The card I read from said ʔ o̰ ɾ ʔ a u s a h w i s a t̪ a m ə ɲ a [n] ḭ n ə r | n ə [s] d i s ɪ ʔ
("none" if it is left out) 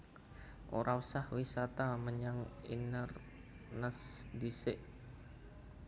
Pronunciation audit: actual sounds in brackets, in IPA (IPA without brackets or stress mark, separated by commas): ŋ, s